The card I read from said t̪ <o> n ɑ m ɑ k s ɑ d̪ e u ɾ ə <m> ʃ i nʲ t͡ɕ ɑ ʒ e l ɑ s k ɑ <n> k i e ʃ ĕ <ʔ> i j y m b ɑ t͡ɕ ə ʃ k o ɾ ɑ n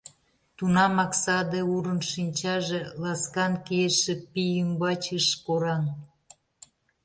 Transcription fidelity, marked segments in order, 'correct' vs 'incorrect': incorrect: u, incorrect: n, correct, incorrect: p

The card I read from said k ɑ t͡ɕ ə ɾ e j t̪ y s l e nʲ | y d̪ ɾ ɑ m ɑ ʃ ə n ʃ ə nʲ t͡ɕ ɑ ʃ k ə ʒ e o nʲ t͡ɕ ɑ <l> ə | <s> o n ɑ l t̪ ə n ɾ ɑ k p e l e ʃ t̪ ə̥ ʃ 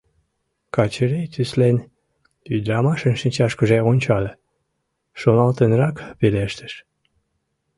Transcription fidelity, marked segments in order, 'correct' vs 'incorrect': correct, incorrect: ʃ

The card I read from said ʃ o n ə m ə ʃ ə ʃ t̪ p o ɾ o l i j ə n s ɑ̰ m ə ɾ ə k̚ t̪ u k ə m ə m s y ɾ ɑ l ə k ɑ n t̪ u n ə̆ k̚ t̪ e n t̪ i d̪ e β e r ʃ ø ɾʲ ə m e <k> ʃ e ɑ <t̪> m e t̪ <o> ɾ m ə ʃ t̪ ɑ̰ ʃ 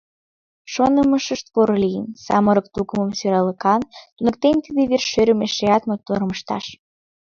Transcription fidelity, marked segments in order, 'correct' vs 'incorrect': incorrect: none, correct, correct

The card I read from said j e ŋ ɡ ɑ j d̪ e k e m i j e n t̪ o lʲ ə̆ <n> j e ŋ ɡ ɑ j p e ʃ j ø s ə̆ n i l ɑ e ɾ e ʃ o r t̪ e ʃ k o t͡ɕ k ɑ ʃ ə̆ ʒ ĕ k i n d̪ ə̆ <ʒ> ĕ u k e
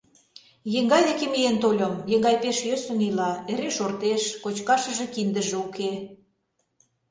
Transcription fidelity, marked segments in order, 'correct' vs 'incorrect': incorrect: m, correct

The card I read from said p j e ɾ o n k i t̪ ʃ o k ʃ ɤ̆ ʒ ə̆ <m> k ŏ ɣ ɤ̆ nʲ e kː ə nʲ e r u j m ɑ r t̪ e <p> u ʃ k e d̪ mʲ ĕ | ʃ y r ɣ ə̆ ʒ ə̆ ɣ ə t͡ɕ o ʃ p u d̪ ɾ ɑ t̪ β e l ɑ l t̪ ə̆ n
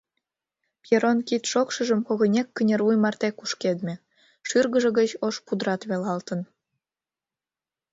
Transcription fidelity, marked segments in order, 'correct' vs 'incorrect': correct, incorrect: k

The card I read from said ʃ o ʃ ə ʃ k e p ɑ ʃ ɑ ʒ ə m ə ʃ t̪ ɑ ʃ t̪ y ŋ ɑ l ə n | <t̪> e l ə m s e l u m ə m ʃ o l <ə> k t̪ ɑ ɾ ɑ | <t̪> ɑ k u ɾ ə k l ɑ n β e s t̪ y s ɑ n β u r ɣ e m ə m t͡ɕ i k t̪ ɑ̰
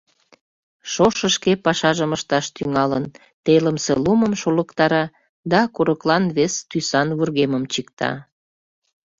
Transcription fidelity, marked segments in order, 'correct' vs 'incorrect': correct, correct, incorrect: d̪

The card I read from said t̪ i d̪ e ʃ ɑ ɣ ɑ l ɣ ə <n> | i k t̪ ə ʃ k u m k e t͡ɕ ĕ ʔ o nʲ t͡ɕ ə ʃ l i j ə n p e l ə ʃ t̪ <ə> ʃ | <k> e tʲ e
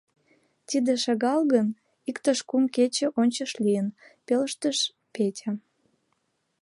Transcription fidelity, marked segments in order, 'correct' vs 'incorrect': correct, correct, incorrect: p

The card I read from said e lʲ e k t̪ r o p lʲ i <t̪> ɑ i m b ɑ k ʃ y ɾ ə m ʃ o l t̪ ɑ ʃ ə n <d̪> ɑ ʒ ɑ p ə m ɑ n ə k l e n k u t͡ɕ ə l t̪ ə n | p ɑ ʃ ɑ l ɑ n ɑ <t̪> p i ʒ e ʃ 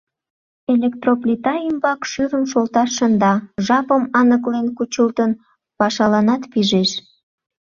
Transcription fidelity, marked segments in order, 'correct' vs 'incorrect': correct, correct, correct

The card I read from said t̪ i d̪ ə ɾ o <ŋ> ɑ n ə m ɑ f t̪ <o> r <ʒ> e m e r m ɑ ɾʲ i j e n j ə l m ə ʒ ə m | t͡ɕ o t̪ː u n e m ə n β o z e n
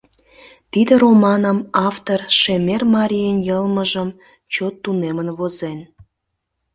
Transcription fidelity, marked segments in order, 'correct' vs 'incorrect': incorrect: m, correct, incorrect: ʃ

